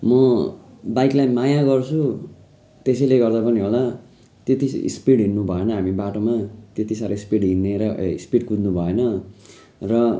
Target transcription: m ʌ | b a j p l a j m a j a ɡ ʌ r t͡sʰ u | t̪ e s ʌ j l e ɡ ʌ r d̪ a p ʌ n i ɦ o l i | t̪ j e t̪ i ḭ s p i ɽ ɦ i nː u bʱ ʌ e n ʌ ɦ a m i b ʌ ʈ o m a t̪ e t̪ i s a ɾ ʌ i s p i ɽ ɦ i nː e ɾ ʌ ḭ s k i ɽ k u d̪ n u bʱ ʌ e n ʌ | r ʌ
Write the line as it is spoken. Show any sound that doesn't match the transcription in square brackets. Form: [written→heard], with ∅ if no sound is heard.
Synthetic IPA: m ʌ | b a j [p→k] l a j m a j a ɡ ʌ r t͡sʰ u | t̪ e s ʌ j l e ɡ ʌ r d̪ a p ʌ n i ɦ o l [i→a] | t̪ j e t̪ i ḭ s p i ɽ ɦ i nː u bʱ ʌ e n ʌ ɦ a m i b [ʌ→a] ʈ o m a t̪ e t̪ i s a ɾ ʌ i s p i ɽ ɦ i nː e ɾ ʌ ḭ s [k→p] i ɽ k u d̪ n u bʱ ʌ e n ʌ | r ʌ